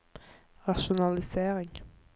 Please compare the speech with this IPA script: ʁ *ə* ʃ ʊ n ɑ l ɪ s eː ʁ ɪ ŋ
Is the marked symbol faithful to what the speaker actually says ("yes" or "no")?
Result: no